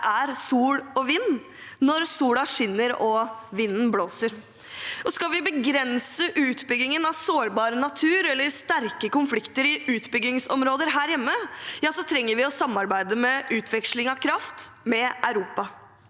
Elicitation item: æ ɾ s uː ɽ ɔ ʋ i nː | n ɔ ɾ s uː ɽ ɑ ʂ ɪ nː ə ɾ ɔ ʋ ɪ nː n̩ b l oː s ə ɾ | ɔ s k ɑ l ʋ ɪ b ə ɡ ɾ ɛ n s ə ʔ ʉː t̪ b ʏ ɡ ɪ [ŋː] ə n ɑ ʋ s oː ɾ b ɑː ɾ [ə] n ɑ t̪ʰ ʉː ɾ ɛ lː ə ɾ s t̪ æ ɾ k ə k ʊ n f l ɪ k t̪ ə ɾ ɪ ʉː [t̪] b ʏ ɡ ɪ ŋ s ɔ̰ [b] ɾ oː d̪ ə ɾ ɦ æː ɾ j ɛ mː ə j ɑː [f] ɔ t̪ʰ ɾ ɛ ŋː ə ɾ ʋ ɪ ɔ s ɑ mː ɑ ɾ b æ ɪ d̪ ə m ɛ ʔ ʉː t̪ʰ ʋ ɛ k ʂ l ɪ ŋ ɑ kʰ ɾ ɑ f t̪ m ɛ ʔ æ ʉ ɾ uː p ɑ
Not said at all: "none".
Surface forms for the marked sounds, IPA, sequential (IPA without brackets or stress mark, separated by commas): ŋ, ə, t̪, m, s